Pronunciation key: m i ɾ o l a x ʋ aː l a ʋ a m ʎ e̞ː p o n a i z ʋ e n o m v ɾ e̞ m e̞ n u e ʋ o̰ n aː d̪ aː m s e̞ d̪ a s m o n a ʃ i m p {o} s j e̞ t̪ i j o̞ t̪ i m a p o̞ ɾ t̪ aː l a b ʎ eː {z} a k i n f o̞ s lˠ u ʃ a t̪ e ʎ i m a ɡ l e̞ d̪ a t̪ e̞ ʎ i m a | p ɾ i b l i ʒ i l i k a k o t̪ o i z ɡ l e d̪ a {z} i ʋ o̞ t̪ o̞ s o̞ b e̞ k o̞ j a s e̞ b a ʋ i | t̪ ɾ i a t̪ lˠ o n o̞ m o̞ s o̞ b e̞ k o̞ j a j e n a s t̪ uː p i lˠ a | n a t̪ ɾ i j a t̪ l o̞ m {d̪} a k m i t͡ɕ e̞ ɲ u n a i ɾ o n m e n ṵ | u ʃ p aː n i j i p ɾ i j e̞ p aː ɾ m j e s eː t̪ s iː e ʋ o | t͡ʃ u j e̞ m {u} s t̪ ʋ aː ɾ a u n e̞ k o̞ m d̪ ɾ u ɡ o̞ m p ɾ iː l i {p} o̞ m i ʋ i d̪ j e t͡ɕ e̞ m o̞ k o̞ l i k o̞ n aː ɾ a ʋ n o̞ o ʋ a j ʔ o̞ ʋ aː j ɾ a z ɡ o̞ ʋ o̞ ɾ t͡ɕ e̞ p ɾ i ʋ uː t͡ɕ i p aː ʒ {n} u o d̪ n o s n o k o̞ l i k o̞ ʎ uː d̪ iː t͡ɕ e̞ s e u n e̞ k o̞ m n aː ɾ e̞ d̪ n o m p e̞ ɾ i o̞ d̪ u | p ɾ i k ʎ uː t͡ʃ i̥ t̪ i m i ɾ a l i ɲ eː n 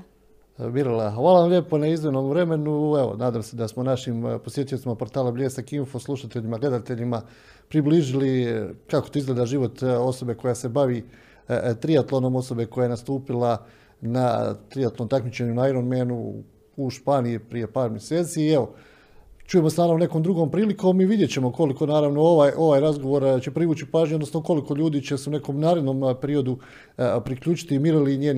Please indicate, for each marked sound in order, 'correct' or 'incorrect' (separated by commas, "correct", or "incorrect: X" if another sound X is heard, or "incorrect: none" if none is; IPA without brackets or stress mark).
correct, incorrect: s, incorrect: ʒ, incorrect: t̪, incorrect: o, incorrect: k, incorrect: ɲ